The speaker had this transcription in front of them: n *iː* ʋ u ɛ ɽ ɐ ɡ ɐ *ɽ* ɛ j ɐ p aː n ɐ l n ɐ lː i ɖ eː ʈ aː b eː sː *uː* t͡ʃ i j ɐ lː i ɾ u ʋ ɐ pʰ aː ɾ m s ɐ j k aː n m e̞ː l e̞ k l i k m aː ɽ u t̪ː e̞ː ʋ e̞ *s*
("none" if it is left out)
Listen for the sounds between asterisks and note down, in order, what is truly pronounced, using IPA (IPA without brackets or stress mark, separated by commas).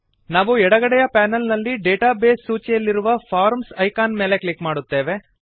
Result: aː, ɽ, uː, none